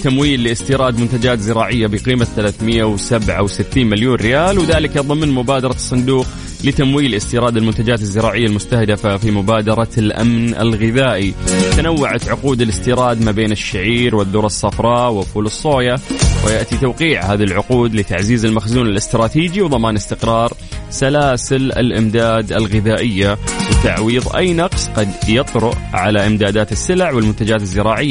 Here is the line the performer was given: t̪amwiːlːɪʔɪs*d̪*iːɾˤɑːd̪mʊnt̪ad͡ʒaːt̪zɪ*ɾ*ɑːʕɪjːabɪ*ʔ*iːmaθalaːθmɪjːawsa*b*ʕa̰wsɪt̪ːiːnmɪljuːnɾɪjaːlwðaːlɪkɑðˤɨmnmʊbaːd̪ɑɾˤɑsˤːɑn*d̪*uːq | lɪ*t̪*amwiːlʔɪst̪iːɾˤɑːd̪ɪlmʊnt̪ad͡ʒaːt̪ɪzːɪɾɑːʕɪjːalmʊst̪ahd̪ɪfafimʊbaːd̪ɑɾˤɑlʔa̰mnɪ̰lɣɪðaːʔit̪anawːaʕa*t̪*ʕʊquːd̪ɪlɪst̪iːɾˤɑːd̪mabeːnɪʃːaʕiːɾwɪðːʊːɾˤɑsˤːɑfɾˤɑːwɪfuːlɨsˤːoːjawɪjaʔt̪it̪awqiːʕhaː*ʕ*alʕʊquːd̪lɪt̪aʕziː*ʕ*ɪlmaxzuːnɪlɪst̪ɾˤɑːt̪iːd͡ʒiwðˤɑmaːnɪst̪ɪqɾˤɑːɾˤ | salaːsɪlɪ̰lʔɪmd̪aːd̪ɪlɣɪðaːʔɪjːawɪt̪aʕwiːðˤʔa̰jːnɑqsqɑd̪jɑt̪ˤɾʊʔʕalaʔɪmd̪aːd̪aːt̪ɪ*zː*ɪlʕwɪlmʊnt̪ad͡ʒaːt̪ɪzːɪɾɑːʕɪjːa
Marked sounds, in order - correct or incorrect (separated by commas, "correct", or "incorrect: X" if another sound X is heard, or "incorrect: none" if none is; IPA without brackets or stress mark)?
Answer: incorrect: t̪, correct, incorrect: q, correct, correct, correct, correct, incorrect: ð, incorrect: z, incorrect: sː